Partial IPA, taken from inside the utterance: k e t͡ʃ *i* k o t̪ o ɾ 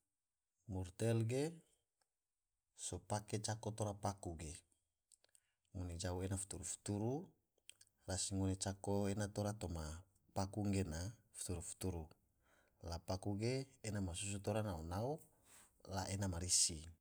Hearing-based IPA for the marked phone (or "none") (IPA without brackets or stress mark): a